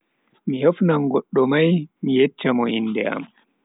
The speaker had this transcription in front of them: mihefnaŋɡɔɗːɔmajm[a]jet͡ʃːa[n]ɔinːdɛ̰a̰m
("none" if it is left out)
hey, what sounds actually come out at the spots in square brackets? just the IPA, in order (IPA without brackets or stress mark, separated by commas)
i, m